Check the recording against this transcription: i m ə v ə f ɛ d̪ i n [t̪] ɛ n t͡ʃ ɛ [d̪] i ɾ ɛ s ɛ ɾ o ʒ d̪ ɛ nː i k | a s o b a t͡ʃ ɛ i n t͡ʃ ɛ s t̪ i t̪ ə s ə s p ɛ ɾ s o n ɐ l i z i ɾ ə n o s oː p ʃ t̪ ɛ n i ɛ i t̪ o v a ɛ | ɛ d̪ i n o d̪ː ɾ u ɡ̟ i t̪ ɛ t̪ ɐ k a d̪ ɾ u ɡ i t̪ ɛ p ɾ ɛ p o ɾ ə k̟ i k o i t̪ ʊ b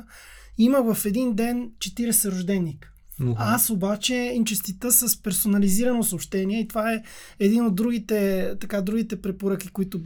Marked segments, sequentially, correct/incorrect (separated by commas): incorrect, incorrect